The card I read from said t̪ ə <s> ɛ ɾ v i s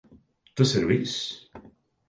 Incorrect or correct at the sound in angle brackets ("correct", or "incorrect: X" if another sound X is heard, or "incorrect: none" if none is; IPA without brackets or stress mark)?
correct